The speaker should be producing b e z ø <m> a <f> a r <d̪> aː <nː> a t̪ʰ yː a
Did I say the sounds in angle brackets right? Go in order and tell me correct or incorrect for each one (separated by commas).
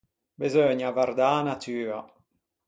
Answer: incorrect, incorrect, correct, incorrect